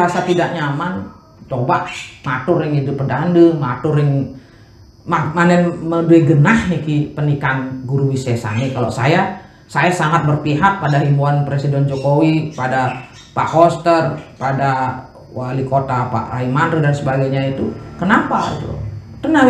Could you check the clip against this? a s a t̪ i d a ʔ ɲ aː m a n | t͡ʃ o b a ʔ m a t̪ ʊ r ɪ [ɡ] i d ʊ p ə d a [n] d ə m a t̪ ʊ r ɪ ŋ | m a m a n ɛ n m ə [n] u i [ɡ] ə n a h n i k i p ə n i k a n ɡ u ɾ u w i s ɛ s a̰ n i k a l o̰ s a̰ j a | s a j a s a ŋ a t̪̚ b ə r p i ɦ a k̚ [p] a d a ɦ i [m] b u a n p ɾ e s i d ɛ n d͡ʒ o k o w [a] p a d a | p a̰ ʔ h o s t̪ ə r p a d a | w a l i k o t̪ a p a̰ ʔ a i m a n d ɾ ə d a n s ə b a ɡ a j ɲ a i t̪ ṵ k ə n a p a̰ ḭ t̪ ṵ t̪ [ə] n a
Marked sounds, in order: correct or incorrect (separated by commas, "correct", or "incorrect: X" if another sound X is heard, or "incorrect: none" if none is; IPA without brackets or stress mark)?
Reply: incorrect: ŋ, correct, incorrect: d, correct, correct, correct, incorrect: i, correct